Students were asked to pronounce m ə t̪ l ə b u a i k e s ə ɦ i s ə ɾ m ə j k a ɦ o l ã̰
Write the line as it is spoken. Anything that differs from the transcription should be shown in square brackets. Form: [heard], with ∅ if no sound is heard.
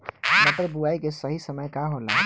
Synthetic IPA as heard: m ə t̪ [ɾ] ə b u a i k e s ə ɦ i s ə [∅] m ə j k a ɦ o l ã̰